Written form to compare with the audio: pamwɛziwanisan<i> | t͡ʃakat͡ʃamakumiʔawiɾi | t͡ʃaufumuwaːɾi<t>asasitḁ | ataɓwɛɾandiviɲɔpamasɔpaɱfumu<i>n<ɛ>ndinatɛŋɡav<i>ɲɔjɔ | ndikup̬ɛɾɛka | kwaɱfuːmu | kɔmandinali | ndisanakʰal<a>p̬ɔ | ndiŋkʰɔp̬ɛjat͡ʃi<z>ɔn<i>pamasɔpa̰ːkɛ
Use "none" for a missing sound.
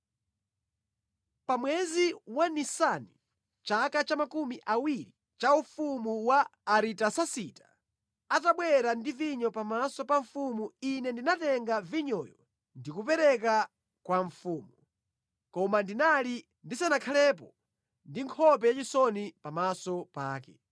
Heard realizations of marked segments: i, t, i, ɛ, i, ɛ, s, i

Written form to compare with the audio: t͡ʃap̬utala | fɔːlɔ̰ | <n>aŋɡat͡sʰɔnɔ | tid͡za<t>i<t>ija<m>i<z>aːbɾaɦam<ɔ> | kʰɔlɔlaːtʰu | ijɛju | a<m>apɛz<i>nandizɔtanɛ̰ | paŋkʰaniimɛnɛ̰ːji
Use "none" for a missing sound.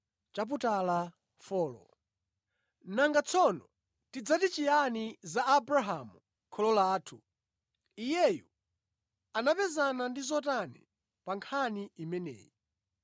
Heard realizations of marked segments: n, t, t͡ʃ, n, z, u, n, a

